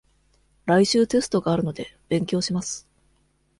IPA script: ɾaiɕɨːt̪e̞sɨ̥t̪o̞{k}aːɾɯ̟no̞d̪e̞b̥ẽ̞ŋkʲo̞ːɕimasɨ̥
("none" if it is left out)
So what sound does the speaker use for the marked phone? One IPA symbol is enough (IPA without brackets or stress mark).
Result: ɡ